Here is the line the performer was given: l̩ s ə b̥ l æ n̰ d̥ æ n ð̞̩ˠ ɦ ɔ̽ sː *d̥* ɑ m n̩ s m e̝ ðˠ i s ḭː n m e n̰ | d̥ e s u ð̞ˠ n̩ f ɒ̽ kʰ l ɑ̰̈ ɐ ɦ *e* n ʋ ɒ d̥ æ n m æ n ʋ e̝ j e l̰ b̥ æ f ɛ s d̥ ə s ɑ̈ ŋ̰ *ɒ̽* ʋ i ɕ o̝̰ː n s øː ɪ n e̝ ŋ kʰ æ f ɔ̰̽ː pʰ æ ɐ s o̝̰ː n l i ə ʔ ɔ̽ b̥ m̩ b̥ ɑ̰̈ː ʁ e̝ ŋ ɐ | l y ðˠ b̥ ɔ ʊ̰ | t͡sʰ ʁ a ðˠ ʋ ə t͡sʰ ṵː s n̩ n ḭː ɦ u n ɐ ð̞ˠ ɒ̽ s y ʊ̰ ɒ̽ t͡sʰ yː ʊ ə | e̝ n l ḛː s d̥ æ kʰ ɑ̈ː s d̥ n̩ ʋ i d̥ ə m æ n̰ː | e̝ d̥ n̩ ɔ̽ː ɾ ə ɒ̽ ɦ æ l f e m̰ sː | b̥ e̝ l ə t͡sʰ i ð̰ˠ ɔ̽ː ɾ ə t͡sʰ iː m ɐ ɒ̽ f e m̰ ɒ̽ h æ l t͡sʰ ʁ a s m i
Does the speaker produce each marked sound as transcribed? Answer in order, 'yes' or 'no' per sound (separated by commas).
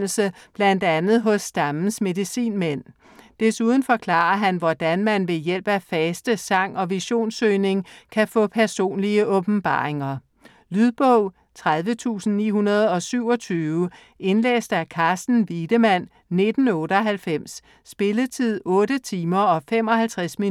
yes, no, yes